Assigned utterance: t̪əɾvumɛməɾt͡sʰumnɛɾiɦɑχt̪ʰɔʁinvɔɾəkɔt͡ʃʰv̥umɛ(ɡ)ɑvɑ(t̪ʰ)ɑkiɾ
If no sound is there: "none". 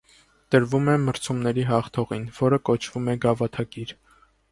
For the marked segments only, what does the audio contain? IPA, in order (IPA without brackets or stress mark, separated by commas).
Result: ɡ, t̪ʰ